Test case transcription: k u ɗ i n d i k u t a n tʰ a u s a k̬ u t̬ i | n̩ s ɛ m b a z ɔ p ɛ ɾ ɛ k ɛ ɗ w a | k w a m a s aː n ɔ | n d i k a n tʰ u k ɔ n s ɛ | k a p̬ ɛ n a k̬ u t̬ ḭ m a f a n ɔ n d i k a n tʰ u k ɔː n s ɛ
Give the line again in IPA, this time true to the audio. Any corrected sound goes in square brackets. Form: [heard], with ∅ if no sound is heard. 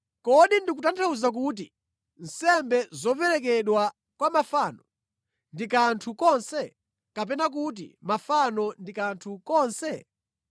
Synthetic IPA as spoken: k [ɔ] ɗ i n d i k u t a n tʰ a u [z] a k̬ u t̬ i | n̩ s ɛ m b [ɛ] z ɔ p ɛ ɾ ɛ k ɛ ɗ w a | k w a m a [f] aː n ɔ | n d i k a n tʰ u k ɔ n s ɛ | k a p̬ ɛ n a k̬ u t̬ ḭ m a f a n ɔ n d i k a n tʰ u k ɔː n s ɛ